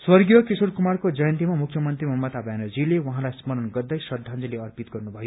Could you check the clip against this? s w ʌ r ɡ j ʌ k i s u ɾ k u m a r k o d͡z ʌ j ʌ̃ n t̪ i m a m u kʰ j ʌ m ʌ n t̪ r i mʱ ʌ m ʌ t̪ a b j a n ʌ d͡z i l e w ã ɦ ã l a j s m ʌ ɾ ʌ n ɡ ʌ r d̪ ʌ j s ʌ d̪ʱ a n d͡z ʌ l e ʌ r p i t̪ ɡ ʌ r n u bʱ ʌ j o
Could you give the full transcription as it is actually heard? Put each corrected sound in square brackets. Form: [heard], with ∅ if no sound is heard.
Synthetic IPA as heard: s w ʌ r ɡ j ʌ k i s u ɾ k u m a r k o d͡z ʌ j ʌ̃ n t̪ i m a m u kʰ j ʌ m ʌ n t̪ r i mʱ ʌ m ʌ t̪ a b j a n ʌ d͡z i l e w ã ɦ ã l a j s m ʌ ɾ ʌ n ɡ ʌ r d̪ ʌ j s ʌ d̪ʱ a n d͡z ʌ l e ʌ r p i t̪ ɡ ʌ r n u bʱ ʌ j o

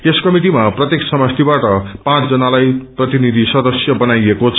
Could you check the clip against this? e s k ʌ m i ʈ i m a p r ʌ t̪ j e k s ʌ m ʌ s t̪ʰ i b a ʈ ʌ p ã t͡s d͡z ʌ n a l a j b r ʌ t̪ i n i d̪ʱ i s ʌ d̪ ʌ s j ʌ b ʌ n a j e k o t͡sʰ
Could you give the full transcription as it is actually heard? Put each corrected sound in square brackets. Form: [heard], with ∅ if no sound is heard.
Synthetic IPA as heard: e s k ʌ m i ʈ i m a p r ʌ t̪ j e k s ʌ m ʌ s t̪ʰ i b a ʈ ʌ p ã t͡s d͡z ʌ n a l a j [p] r ʌ t̪ i n i d̪ʱ i s ʌ d̪ ʌ s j ʌ b ʌ n a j e k o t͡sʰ

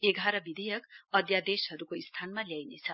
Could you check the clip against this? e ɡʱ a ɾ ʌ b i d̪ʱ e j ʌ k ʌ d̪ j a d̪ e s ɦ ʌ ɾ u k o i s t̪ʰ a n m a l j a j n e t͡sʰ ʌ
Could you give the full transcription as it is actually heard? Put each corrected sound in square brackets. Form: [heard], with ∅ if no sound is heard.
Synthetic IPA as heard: e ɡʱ a ɾ ʌ b i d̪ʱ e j ʌ k ʌ d̪ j a d̪ e s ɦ ʌ ɾ u k o i s t̪ʰ a n m a l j a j n e t͡sʰ ʌ

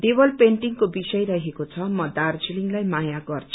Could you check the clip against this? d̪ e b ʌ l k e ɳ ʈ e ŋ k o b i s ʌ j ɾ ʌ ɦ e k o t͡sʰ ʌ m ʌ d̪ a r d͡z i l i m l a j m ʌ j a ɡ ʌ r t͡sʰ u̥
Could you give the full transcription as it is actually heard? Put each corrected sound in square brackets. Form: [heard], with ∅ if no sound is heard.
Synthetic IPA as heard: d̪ e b ʌ l [p] e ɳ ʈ [i] ŋ k o b i s ʌ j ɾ ʌ ɦ e k o t͡sʰ ʌ m ʌ d̪ a r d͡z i l i [ŋ] l a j m [a] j a ɡ ʌ r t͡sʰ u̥

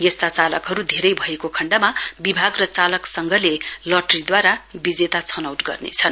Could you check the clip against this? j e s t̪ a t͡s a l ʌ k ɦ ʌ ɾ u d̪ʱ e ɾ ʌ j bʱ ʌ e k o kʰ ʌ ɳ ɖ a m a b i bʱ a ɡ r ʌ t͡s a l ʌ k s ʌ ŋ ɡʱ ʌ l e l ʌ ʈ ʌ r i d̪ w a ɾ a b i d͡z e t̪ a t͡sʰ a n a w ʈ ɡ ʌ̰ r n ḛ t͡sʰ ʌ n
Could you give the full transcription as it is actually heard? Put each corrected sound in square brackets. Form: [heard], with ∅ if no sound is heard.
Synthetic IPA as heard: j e s t̪ a t͡s a l ʌ k ɦ ʌ ɾ u d̪ʱ e ɾ ʌ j bʱ ʌ e k o kʰ ʌ ɳ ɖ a m a b i bʱ a ɡ r ʌ t͡s a l ʌ k s ʌ ŋ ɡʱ ʌ l e l ʌ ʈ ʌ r i d̪ w a ɾ a b i d͡z e t̪ a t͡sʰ [ʌ] n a w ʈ ɡ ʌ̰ r n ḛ t͡sʰ ʌ n

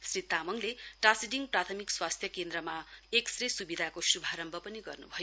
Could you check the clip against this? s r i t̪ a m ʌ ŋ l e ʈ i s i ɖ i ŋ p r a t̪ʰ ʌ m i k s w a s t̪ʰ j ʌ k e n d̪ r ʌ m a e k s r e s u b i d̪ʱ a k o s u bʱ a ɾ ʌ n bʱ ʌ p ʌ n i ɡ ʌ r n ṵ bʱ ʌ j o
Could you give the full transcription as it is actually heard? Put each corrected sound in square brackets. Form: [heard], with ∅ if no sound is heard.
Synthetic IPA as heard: s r i t̪ a m ʌ ŋ l e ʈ [a] s i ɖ i ŋ p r a t̪ʰ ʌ m i k s w a s t̪ʰ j ʌ k e n d̪ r ʌ m a e k s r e s u b i d̪ʱ a k o s u bʱ a ɾ ʌ [m] bʱ ʌ p ʌ n i ɡ ʌ r n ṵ bʱ ʌ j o

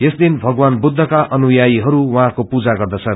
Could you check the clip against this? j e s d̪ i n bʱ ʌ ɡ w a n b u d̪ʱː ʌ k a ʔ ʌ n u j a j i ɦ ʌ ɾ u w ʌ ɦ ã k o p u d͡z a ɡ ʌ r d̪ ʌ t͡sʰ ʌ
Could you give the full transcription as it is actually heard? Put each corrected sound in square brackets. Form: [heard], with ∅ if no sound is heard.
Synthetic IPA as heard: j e s d̪ i n bʱ ʌ ɡ w a n b u d̪ʱː ʌ k a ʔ ʌ n u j a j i ɦ ʌ ɾ u w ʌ ɦ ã k o p u d͡z a ɡ ʌ r d̪ ʌ t͡sʰ ʌ

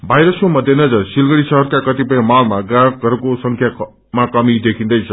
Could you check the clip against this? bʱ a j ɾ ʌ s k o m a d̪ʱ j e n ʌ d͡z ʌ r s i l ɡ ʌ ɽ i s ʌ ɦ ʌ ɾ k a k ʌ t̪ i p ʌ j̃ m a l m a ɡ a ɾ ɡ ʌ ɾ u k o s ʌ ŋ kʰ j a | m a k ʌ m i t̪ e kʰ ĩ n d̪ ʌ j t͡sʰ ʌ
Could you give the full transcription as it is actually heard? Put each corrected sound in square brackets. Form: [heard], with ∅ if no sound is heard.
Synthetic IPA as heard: bʱ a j ɾ ʌ s k o m [ʌ] d̪ʱ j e n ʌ d͡z ʌ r s i l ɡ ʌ ɽ i s ʌ ɦ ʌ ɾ k a k ʌ t̪ i p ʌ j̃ m a l m a ɡ a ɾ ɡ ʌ ɾ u k o s ʌ ŋ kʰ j a | m a k ʌ m i [d̪] e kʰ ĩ n d̪ ʌ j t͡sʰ ʌ

